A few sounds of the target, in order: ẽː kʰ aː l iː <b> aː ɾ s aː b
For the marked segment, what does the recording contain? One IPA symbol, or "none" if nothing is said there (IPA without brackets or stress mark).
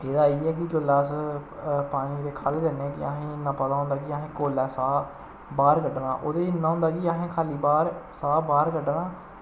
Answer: b